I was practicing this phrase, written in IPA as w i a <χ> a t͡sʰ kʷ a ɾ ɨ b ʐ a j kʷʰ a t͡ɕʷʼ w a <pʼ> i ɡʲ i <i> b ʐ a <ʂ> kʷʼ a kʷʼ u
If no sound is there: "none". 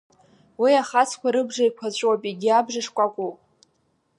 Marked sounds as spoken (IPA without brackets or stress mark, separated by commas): χ, pʼ, a, ʂ